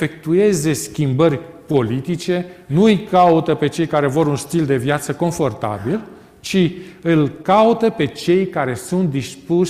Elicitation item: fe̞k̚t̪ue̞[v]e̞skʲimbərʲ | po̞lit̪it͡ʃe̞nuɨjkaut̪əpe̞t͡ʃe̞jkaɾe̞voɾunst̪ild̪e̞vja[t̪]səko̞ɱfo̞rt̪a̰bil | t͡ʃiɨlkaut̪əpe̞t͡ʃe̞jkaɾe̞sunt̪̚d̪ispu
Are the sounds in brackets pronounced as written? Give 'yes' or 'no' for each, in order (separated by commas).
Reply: no, yes